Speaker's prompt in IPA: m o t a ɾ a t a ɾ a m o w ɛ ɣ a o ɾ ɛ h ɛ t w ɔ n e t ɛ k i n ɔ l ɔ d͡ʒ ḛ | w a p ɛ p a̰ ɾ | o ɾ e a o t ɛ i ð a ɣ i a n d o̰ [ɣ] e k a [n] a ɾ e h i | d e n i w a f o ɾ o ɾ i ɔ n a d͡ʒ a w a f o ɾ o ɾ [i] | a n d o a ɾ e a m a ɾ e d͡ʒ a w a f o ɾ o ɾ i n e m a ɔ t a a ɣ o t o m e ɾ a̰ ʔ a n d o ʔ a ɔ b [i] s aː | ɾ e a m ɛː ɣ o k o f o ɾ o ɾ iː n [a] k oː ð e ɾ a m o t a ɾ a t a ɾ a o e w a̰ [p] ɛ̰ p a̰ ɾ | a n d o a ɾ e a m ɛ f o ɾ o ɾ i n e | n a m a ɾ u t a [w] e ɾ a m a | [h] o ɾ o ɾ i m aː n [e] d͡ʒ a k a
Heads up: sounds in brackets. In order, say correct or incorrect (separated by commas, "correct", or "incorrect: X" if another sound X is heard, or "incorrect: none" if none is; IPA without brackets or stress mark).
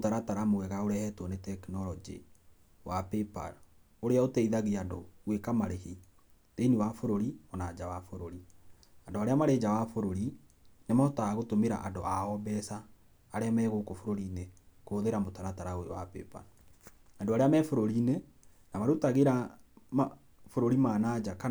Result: incorrect: w, incorrect: m, correct, incorrect: ɛ, incorrect: e, correct, incorrect: ɣ, incorrect: f, incorrect: a